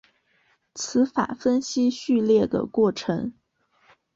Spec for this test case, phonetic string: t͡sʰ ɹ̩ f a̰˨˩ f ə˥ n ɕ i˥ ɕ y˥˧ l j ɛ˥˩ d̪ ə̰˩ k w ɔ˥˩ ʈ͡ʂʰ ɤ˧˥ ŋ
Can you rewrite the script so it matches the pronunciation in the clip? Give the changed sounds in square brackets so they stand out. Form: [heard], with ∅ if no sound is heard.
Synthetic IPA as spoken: t͡sʰ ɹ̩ f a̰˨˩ f ə˥ n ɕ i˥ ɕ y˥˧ l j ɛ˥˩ d̪ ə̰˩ k w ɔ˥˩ ʈ͡ʂʰ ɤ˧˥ ŋ